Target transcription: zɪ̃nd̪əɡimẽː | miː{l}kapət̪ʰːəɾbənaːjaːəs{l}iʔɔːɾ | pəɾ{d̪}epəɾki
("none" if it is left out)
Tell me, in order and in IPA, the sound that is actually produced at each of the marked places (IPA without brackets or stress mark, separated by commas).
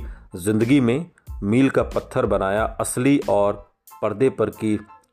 l, l, d̪